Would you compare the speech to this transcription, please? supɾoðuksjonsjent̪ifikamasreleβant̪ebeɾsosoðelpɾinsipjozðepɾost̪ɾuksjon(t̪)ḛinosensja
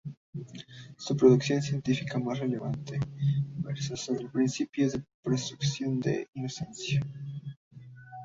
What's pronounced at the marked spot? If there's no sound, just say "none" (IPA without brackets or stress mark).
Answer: d̪